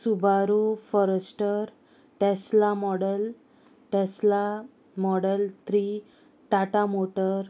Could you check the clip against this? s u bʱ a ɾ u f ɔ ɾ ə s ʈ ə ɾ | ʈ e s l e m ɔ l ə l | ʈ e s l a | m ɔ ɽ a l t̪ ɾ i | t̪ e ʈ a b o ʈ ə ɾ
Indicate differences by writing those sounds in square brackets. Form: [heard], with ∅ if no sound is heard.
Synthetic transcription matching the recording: s u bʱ a ɾ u f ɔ ɾ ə s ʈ ə ɾ | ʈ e s l [a] m ɔ [ɽ] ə l | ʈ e s l a | m ɔ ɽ [ə] l t̪ ɾ i | t̪ [a] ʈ a [m] o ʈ ə ɾ